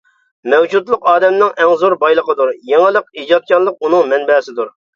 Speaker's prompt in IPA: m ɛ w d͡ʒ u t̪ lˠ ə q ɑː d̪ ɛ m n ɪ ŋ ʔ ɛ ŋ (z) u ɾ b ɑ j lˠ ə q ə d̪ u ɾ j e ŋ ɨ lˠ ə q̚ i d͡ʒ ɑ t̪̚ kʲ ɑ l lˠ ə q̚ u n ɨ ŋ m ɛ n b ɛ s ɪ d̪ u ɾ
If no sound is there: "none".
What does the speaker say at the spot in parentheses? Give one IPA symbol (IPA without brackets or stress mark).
z